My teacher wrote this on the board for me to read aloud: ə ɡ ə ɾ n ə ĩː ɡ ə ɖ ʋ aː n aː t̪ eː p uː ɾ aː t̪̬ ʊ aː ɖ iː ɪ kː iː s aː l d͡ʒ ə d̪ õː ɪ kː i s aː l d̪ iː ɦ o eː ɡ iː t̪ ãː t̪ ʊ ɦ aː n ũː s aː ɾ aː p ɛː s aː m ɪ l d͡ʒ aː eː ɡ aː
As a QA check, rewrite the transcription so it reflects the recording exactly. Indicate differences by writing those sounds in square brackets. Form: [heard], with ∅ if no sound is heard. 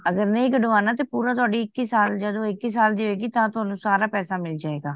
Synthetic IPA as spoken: ə ɡ ə ɾ n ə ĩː ɡ ə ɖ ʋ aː n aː t̪ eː p uː ɾ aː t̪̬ ʊ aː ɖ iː ɪ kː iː s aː l d͡ʒ ə d̪ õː ɪ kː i s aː l d̪ iː ɦ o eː ɡ iː t̪ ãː t̪ ʊ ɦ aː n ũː s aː ɾ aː p ɛː s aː m ɪ l d͡ʒ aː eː ɡ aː

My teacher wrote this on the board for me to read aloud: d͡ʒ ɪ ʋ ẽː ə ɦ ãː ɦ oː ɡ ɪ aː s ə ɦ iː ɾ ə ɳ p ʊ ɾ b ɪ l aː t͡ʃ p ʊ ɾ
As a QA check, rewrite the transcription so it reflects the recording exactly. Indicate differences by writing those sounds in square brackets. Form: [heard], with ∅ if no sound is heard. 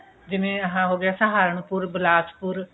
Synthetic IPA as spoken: d͡ʒ ɪ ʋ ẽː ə ɦ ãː ɦ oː ɡ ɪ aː s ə ɦ [aː] ɾ ə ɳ p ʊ ɾ b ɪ l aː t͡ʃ p ʊ ɾ

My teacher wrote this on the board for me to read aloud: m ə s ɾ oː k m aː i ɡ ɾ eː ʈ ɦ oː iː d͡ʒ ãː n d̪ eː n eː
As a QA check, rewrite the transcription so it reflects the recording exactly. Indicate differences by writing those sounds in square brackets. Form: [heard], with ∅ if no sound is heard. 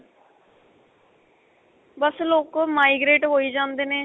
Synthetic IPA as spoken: [b] ə s [l] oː k m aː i ɡ ɾ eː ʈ ɦ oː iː d͡ʒ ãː n d̪ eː n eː

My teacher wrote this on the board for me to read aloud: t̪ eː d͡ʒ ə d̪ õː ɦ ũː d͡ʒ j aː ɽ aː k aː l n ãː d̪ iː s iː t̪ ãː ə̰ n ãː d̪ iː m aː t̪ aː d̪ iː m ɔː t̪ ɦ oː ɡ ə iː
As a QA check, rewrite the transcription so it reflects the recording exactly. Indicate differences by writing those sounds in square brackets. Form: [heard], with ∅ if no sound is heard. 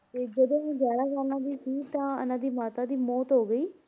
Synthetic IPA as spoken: t̪ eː d͡ʒ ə d̪ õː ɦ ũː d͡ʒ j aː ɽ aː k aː l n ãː d̪ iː s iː t̪ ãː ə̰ n ãː d̪ iː m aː t̪ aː d̪ iː m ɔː t̪ ɦ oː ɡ ə iː

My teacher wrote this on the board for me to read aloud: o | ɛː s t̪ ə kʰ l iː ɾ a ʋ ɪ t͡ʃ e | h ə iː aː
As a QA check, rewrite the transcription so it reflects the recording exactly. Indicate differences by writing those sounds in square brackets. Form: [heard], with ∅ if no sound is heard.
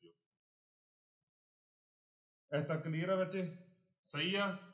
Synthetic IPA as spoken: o | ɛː [∅] t̪ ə [k] l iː ɾ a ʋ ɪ t͡ʃ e | [s] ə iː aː

